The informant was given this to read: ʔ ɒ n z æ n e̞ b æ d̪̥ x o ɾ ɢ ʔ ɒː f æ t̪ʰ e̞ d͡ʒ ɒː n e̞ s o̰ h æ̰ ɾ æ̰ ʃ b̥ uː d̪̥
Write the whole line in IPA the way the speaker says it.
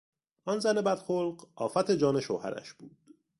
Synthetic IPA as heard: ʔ ɒ n z æ n e̞ b æ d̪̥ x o l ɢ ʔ ɒː f æ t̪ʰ e̞ d͡ʒ ɒː n e̞ ʃ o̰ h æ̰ ɾ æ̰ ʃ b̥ uː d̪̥